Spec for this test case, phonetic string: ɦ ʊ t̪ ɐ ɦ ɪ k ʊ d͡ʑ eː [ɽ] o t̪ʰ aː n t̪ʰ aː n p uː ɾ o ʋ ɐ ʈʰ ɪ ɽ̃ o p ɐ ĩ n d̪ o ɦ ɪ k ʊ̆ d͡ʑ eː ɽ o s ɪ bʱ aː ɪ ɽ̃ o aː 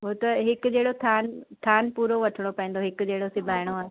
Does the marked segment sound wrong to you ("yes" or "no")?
no